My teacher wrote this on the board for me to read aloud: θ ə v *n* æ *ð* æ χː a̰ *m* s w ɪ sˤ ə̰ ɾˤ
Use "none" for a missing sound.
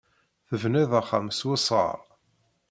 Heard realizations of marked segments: n, ð, m

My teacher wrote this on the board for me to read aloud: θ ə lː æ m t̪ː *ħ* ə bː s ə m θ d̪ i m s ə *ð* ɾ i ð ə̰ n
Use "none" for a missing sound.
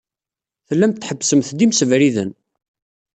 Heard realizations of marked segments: ħ, v

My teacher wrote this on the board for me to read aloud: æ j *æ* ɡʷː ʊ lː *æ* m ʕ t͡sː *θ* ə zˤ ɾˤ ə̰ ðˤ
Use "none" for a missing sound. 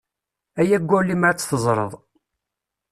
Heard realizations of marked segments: æ, i, θ

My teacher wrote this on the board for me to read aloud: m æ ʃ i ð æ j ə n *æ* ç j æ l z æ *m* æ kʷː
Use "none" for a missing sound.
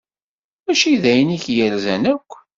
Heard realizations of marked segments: i, n

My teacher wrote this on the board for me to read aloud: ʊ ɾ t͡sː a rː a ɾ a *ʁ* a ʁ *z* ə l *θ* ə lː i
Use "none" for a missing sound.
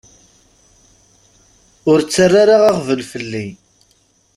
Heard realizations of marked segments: ʁ, v, f

